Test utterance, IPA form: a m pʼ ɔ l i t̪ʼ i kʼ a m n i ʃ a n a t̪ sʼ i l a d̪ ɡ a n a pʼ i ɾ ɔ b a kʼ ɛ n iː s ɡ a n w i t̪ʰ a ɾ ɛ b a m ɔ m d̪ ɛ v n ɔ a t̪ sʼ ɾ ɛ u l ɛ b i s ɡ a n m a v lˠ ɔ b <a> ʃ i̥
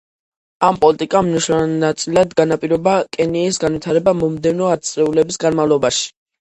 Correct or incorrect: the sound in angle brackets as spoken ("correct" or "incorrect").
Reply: correct